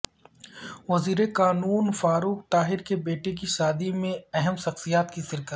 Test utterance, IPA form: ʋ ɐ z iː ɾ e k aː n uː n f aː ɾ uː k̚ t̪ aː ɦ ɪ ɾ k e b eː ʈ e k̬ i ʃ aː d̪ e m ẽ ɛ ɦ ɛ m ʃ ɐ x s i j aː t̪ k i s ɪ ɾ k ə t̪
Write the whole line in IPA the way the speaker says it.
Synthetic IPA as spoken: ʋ ɐ z iː ɾ e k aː n uː n f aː ɾ uː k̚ t̪ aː ɦ ɪ ɾ k e b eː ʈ e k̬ i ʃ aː d̪ i m ẽ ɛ ɦ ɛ m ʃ ɐ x s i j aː t̪ k i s ɪ ɾ k ə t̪